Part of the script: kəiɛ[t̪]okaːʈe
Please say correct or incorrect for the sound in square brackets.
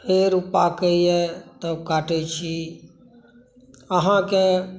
correct